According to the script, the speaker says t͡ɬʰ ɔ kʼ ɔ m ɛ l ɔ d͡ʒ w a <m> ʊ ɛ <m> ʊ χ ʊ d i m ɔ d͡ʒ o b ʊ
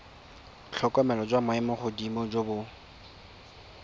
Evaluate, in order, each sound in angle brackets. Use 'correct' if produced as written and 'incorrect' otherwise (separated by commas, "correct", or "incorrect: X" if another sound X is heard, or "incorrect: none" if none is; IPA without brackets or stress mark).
correct, correct